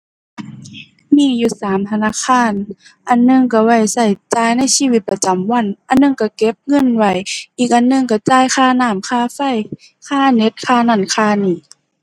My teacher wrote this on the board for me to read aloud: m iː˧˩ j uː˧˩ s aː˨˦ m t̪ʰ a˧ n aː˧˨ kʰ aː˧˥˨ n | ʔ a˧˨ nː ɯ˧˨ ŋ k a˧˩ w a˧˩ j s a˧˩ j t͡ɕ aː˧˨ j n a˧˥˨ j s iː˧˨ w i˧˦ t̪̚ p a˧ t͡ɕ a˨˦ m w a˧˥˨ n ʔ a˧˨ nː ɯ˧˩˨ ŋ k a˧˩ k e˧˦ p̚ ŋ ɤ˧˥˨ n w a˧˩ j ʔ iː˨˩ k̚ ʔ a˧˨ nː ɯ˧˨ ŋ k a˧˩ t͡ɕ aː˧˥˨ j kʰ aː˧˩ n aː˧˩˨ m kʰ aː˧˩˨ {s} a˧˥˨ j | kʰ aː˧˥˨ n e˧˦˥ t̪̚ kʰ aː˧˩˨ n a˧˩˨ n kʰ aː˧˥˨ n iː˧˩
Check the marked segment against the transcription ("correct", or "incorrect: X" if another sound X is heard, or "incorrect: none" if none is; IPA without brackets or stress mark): incorrect: f